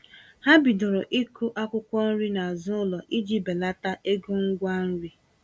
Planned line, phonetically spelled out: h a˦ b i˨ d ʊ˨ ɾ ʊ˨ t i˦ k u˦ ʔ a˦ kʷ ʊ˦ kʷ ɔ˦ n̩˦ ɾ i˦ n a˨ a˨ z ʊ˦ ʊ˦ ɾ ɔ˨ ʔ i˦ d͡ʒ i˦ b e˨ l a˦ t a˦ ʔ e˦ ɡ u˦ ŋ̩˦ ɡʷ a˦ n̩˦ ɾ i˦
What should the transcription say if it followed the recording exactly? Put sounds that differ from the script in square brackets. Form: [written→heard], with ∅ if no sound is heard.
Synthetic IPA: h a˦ b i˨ d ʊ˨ ɾ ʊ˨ [t→ʔ] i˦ k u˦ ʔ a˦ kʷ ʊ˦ kʷ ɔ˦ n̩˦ ɾ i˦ n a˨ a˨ z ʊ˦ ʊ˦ [ɾ→l] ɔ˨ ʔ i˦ d͡ʒ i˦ b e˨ l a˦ t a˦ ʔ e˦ ɡ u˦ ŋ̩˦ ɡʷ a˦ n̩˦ ɾ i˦